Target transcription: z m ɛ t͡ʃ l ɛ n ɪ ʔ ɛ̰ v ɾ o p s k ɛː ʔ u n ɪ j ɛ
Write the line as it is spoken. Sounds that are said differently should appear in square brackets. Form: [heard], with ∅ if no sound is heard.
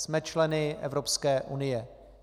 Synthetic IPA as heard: [s] m ɛ t͡ʃ l ɛ n ɪ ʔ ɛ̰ v ɾ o p s k ɛː ʔ u n ɪ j ɛ